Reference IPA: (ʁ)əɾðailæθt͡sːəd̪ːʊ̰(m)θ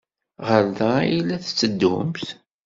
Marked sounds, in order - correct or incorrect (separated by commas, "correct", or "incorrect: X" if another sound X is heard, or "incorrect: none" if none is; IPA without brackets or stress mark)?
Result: correct, correct